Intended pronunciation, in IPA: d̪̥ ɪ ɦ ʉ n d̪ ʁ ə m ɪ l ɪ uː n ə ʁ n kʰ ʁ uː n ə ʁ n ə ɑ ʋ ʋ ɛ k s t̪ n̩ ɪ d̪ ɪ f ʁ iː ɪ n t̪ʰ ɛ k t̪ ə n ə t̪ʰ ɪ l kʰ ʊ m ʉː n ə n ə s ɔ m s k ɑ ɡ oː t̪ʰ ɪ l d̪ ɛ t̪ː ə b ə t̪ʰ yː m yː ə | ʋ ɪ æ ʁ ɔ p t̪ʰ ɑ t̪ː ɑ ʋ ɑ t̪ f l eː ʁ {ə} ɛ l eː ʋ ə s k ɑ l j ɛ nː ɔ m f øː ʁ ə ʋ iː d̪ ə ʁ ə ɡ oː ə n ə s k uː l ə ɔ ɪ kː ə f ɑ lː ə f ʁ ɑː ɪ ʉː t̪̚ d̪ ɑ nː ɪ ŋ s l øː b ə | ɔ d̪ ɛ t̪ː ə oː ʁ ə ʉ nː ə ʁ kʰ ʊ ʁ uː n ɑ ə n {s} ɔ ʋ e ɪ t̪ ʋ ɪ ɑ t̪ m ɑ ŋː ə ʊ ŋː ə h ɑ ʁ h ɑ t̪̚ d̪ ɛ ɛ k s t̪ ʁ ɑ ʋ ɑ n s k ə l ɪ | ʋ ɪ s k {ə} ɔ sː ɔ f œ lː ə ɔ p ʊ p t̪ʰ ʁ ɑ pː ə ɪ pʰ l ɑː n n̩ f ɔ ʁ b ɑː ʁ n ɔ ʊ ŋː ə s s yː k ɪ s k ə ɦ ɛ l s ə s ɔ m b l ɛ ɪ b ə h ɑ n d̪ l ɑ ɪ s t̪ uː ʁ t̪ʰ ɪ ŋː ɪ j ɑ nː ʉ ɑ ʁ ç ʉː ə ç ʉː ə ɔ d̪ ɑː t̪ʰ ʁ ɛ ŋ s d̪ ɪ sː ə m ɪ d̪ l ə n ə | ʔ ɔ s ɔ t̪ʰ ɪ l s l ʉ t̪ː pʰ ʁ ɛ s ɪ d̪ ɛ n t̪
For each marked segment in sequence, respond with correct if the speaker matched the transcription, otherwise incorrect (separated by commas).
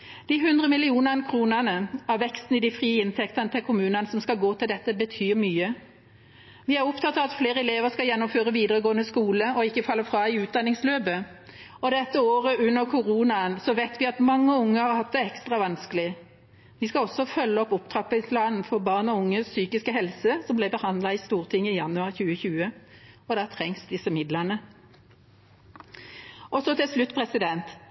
correct, correct, incorrect